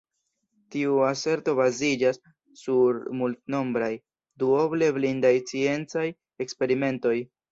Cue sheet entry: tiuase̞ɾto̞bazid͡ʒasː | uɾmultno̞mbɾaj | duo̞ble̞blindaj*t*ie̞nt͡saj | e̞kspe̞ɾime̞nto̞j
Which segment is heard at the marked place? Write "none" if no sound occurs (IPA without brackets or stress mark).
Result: t͡s